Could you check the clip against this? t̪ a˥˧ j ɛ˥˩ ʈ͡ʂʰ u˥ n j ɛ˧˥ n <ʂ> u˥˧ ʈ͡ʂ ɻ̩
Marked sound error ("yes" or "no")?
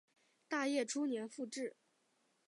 yes